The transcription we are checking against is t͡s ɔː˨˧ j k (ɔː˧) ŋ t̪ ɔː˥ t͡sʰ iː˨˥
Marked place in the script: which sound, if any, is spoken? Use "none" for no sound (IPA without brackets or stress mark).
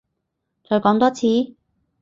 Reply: ɔː˨˥